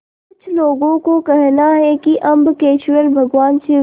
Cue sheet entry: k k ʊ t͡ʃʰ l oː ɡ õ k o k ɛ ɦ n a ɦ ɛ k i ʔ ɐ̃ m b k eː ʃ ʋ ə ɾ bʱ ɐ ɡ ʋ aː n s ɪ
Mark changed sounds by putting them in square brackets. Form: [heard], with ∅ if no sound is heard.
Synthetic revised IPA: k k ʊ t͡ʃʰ l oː ɡ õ k o k ɛ ɦ n a ɦ ɛ k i ʔ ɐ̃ m b k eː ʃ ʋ ə ɾ bʱ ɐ ɡ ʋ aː n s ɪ